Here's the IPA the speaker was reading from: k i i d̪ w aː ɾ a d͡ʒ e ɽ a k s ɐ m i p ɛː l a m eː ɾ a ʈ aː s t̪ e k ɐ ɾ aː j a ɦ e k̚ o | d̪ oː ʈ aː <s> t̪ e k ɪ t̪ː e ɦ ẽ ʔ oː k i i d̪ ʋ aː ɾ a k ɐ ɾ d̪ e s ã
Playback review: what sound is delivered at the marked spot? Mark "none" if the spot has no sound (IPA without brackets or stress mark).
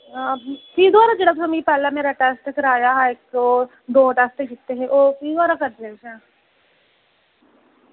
s